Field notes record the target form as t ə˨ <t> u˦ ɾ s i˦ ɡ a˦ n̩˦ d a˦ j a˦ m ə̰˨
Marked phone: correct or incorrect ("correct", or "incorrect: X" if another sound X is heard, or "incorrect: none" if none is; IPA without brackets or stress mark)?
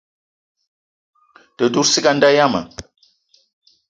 incorrect: d